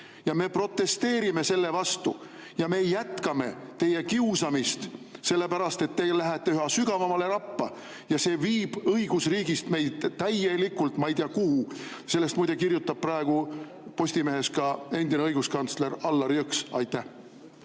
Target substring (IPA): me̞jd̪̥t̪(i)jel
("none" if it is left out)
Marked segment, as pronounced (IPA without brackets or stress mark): æ